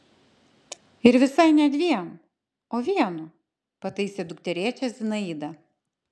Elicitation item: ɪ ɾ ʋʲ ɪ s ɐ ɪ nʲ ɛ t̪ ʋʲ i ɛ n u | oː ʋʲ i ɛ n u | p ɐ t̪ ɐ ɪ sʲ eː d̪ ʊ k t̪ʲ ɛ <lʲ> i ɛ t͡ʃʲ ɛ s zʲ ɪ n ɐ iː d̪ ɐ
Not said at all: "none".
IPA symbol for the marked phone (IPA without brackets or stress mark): ɾʲ